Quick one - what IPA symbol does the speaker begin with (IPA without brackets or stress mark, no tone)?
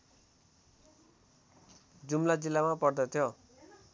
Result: d͡z